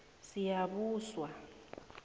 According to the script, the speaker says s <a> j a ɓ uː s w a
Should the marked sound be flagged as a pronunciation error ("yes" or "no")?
yes